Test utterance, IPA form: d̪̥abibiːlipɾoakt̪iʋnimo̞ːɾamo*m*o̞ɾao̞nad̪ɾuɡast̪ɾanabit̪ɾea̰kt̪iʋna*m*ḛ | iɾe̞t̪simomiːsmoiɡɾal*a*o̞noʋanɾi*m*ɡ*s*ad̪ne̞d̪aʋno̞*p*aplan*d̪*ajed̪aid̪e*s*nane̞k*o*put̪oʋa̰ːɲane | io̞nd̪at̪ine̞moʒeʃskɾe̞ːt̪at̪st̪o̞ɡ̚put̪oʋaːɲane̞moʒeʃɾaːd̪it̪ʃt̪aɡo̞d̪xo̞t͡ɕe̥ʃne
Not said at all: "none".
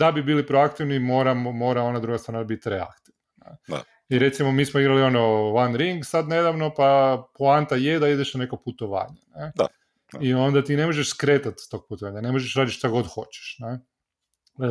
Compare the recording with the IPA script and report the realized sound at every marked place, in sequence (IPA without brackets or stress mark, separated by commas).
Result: m, n, i, ŋ, s, p, t̪, ʃ, o